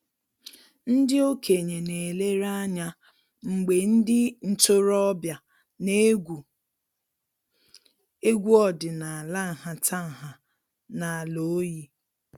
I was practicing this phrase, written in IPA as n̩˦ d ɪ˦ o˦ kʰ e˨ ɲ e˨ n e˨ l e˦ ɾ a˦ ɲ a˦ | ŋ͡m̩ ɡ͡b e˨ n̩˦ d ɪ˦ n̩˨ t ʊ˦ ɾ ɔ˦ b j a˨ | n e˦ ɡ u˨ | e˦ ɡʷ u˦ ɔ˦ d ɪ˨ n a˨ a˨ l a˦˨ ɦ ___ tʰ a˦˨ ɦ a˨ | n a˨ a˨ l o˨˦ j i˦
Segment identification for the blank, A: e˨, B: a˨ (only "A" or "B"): B